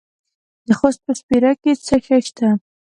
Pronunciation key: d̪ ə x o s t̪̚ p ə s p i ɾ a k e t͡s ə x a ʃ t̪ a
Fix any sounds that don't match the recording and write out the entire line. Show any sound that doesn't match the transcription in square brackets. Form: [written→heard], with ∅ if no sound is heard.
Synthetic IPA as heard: d̪ ə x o s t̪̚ p ə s p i ɾ a k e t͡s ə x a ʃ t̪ a